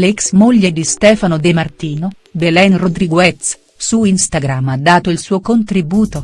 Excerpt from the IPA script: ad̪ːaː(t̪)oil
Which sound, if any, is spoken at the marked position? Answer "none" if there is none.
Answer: t̪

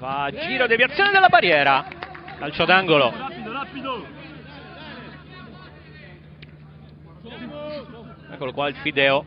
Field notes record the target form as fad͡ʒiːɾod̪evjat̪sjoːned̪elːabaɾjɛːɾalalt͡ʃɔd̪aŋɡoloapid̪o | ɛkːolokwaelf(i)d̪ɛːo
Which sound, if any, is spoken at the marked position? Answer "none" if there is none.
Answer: i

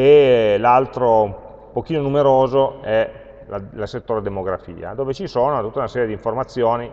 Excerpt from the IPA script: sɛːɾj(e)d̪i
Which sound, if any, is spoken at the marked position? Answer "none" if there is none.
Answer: e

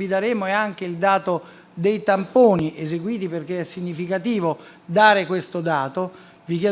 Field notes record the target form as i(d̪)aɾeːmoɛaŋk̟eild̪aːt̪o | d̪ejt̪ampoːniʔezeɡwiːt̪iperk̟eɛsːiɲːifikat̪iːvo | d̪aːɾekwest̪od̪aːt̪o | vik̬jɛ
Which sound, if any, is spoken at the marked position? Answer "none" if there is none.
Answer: d̪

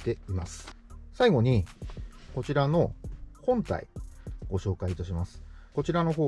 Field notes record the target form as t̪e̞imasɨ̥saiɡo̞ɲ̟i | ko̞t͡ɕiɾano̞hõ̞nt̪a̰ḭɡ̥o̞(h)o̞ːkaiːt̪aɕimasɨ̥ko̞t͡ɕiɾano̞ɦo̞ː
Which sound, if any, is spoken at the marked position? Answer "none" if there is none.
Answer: ɕ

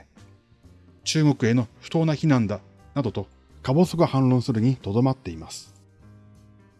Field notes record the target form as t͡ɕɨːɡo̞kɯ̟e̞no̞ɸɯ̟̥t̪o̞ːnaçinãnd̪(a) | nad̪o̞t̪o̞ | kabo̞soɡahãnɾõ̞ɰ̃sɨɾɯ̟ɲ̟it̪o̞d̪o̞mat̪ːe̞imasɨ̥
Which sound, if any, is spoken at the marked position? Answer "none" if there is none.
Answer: a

